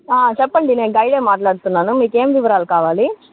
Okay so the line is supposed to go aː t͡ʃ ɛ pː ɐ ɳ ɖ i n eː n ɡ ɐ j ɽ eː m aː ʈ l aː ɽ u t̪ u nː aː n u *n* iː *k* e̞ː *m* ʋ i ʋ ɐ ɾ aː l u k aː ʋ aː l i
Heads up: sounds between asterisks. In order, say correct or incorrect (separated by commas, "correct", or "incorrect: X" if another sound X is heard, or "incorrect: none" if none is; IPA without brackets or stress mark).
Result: incorrect: m, correct, correct